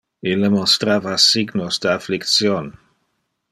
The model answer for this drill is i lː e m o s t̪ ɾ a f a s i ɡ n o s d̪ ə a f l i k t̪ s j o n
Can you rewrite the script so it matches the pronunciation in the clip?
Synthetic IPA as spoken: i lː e m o s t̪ ɾ a v a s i ɡ n o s d̪ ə a f l i k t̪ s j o n